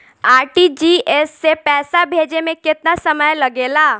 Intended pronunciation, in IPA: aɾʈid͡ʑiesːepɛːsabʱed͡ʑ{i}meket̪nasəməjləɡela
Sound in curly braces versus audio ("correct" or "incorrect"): incorrect